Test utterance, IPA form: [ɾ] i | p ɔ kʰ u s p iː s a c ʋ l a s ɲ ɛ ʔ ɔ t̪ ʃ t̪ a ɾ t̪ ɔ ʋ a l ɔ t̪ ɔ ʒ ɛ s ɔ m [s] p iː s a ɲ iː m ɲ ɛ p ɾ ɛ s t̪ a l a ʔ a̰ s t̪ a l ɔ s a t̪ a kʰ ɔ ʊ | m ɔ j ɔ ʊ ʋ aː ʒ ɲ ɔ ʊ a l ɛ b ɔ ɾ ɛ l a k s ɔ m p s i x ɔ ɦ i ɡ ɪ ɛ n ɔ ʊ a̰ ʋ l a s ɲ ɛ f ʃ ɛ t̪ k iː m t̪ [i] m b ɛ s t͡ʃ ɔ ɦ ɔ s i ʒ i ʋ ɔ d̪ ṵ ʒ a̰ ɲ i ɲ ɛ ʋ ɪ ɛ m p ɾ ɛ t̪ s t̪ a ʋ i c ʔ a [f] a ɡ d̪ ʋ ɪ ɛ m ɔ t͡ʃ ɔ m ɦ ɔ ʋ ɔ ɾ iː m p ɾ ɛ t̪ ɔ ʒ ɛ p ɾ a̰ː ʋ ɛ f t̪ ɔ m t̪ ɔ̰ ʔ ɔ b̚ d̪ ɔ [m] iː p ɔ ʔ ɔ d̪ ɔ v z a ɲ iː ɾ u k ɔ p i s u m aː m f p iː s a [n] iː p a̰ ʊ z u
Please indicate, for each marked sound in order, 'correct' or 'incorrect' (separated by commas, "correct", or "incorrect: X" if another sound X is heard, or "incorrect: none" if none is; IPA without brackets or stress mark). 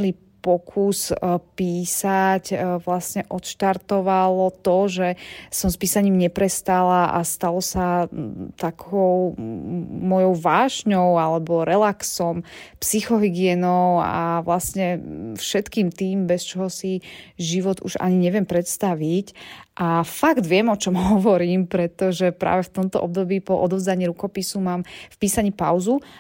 incorrect: l, correct, incorrect: iː, correct, incorrect: b, incorrect: ɲ